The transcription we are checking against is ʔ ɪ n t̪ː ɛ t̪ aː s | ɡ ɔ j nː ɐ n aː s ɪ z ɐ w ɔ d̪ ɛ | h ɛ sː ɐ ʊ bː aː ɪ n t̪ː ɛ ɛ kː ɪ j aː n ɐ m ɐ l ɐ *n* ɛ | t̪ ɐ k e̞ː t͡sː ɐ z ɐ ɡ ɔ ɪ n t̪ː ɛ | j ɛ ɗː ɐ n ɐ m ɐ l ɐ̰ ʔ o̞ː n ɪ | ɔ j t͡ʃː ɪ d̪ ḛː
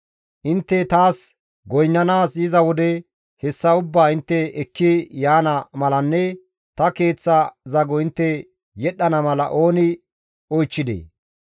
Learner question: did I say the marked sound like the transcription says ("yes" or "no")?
no